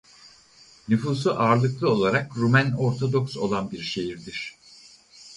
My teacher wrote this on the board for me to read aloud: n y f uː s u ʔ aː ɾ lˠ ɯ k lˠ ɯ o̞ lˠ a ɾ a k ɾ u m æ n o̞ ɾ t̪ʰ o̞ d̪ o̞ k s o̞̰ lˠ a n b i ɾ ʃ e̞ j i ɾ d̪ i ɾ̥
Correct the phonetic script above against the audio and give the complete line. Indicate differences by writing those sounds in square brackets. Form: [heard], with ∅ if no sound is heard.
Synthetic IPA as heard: n y f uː s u ʔ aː ɾ lˠ ɯ k lˠ ɯ o̞ lˠ a ɾ a k ɾ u m æ n o̞ ɾ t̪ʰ o̞ d̪ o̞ k s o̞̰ lˠ a n b i ɾ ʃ e̞ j i ɾ d̪ i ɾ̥